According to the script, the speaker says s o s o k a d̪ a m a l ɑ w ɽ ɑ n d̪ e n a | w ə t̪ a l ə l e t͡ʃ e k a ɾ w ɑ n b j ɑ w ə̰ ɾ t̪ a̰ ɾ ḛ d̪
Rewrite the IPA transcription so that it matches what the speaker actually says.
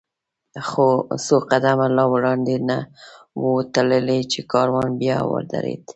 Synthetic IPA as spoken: x o s o q a d̪ a m a l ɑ w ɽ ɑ n d̪ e n a | w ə t̪ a l ə l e t͡ʃ e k ɑ ɾ w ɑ n b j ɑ w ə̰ ɾ d̪ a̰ ɾ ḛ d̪